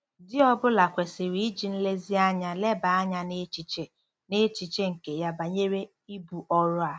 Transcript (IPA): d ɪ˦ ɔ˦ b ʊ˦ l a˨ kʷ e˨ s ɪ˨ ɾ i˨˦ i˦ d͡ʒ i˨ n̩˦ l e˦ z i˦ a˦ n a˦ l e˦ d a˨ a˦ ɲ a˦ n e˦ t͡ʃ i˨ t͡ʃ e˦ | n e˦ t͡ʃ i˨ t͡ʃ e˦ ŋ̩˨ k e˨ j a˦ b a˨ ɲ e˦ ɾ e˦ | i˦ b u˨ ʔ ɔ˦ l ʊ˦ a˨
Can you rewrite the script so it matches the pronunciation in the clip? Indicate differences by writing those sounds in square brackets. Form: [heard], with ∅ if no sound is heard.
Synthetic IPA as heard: d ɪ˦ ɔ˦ b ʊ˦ l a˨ kʷ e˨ s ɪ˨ ɾ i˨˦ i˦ d͡ʒ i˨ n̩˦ l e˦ z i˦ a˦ [ɲ] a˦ l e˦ [b] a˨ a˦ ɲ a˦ n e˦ t͡ʃ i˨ t͡ʃ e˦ | n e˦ t͡ʃ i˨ t͡ʃ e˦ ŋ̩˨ k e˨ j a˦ b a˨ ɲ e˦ ɾ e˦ | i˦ b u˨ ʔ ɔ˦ [ɾ] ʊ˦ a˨